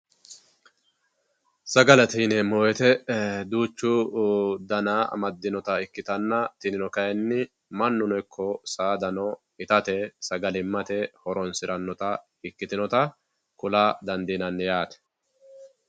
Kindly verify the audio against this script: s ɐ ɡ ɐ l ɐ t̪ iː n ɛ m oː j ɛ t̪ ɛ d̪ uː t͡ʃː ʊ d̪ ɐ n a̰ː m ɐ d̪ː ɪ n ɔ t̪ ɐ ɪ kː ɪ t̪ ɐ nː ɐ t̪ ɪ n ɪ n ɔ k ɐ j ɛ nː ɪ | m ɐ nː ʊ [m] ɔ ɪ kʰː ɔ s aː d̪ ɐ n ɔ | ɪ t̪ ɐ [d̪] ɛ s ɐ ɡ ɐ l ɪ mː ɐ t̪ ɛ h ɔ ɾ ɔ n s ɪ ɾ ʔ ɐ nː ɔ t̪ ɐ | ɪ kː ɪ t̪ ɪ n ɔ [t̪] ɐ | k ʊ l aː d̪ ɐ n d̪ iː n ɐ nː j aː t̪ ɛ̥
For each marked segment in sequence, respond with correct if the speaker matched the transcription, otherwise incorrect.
incorrect: n, incorrect: t̪, correct

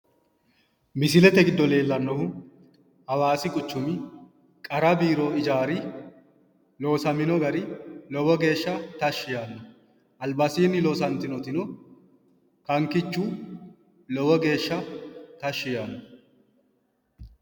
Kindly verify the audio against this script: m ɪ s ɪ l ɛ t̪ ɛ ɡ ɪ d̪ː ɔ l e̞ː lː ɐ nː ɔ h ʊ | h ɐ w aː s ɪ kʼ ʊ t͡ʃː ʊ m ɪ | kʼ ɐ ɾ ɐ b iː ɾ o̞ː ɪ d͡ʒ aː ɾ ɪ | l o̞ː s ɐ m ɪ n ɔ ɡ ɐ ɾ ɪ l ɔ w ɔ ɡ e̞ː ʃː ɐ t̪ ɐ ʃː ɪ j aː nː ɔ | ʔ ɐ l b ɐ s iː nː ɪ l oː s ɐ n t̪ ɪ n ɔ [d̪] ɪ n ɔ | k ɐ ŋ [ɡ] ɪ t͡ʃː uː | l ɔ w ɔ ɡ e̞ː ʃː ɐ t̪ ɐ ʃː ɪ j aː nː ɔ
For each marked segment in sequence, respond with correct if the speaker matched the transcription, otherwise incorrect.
incorrect: t̪, incorrect: k

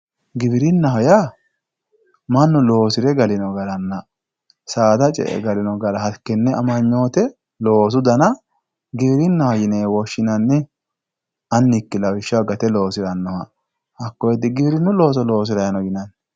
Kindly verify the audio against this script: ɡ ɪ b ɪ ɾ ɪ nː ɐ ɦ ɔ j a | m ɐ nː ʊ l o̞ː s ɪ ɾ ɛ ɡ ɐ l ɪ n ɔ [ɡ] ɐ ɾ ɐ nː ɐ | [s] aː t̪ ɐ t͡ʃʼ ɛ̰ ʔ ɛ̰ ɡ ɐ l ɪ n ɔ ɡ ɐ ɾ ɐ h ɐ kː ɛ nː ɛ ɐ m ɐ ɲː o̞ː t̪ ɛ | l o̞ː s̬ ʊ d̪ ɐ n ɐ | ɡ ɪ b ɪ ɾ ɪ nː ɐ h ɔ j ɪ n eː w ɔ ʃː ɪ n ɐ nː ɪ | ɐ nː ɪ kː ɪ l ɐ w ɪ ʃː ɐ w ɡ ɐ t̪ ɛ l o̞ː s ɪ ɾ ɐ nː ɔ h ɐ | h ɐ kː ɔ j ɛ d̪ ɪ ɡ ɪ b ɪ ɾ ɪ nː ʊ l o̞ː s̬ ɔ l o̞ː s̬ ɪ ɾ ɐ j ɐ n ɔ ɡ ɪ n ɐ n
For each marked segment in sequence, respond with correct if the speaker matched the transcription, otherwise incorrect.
correct, correct

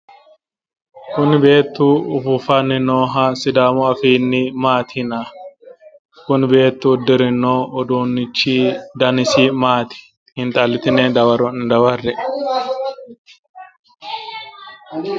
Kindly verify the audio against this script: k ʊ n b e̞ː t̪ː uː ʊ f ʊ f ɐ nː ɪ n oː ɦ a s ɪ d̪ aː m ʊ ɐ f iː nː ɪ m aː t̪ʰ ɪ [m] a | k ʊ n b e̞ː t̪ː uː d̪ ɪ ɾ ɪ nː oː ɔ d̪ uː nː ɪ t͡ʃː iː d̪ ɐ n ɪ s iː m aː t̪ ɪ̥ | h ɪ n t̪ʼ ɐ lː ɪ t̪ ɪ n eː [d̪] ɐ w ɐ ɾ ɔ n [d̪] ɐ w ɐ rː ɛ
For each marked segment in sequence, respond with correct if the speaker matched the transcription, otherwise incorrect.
incorrect: n, correct, correct

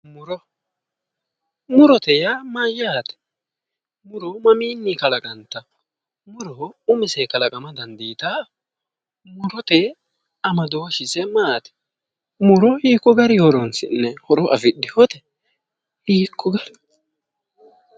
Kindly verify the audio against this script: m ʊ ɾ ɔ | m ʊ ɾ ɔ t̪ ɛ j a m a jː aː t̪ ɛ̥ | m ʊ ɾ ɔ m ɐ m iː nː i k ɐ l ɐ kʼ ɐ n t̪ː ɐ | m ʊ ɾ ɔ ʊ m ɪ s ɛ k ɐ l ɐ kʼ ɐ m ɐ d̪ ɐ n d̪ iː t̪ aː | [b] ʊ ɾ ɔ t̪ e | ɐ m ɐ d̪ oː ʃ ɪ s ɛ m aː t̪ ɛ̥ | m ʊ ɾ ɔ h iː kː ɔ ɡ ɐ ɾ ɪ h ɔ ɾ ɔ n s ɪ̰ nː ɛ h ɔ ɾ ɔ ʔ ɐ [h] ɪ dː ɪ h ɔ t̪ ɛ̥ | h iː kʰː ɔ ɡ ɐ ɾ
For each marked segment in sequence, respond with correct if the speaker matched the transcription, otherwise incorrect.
incorrect: m, incorrect: f

